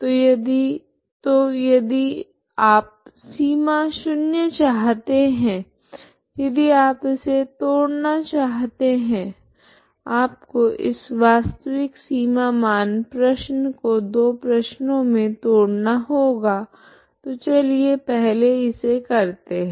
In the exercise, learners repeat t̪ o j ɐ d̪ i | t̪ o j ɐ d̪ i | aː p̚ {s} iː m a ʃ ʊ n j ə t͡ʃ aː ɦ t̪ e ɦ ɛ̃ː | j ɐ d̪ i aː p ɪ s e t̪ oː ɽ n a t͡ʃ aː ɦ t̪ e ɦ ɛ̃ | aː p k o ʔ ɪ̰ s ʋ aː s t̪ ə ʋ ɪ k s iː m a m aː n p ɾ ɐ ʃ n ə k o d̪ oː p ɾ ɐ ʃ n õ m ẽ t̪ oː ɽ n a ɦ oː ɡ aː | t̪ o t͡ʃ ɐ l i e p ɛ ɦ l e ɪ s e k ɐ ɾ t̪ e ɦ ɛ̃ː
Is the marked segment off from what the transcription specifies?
no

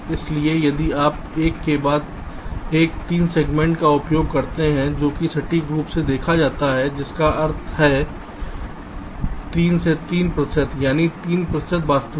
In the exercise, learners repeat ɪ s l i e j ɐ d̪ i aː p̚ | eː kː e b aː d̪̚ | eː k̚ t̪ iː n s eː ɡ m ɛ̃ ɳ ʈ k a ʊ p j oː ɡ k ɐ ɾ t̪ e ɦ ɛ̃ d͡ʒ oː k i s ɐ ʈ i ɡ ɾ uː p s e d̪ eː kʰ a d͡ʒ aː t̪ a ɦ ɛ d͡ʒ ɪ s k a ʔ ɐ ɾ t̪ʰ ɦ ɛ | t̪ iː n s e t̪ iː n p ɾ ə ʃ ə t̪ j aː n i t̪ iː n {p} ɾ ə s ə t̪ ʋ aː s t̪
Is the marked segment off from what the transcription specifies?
no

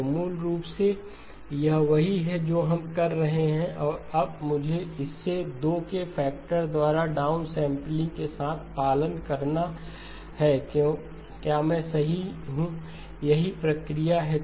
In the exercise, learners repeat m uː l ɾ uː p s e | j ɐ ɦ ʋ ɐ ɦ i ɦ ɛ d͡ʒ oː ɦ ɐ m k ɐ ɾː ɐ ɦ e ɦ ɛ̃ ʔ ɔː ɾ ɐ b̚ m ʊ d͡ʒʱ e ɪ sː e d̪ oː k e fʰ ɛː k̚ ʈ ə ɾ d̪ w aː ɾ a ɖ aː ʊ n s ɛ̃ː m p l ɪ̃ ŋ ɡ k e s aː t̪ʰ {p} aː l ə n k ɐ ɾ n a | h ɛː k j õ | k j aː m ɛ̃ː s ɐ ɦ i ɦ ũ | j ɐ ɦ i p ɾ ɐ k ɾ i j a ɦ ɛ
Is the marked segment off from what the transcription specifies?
no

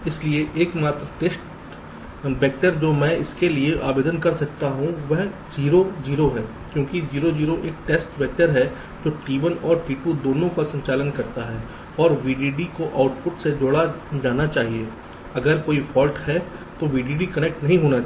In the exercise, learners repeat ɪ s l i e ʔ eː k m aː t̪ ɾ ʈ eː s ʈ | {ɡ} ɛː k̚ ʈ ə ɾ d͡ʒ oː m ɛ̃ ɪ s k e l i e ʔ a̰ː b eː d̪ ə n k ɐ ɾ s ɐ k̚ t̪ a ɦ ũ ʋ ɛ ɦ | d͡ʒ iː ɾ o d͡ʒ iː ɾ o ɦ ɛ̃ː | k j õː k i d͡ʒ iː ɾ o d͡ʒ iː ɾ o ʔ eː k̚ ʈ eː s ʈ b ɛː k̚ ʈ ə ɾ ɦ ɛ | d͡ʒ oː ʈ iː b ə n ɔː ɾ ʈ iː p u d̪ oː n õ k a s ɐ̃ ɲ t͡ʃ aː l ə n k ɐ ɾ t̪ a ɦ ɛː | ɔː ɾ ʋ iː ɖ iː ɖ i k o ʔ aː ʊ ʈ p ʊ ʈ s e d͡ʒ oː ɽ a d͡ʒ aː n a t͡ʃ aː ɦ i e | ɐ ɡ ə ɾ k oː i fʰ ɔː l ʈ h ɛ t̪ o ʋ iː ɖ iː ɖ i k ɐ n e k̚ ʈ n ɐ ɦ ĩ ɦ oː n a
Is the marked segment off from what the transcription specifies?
yes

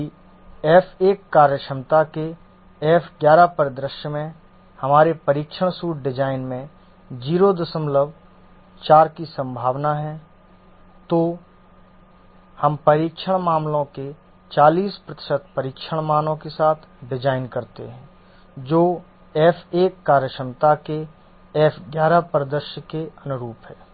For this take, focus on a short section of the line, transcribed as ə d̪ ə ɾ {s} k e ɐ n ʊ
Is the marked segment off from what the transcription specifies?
yes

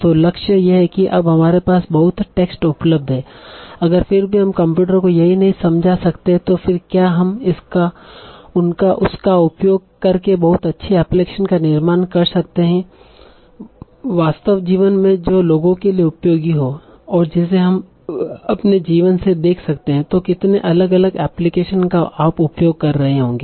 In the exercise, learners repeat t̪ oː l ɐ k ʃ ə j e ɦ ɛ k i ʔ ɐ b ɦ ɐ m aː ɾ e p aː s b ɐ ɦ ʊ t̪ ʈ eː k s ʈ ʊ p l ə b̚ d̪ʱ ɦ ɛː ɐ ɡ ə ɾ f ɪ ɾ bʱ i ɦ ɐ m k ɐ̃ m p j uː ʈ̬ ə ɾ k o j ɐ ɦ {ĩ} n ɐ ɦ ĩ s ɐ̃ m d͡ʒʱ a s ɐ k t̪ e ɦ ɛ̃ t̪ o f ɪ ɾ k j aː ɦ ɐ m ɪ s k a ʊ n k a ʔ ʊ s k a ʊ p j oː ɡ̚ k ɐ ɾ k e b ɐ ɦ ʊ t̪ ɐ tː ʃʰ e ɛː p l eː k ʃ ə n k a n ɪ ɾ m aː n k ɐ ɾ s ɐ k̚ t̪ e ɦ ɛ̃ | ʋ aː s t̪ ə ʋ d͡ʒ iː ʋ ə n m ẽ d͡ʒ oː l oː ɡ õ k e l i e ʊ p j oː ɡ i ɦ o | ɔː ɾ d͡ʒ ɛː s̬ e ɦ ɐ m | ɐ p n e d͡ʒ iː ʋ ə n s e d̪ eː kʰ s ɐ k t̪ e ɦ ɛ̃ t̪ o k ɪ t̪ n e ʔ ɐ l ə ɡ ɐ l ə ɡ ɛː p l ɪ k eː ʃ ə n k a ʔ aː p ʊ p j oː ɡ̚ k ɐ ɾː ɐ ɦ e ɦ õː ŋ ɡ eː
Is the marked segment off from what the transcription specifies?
yes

